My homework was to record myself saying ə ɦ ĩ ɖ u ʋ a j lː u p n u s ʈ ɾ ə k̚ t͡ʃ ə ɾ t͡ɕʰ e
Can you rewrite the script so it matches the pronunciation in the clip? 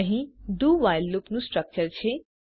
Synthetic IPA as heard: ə ɦ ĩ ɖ u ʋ a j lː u p n u s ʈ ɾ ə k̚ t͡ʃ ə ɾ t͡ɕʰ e